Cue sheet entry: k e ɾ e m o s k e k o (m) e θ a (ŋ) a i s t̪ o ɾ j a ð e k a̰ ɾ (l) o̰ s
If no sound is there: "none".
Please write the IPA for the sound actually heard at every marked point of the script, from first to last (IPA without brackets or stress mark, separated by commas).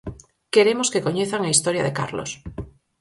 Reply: ɲ, ŋ, l